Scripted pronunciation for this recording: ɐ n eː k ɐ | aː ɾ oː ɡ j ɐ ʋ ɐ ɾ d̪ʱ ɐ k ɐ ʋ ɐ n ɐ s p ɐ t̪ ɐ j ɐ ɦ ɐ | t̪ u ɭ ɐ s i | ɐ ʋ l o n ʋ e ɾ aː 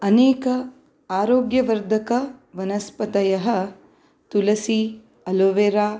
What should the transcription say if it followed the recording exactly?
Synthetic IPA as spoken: ɐ n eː k ɐ | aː ɾ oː ɡ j ɐ ʋ ɐ ɾ d̪ʱ ɐ k ɐ ʋ ɐ n ɐ s p ɐ t̪ ɐ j ɐ ɦ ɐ | t̪ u l ɐ s i | ɐ l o ʋ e ɾ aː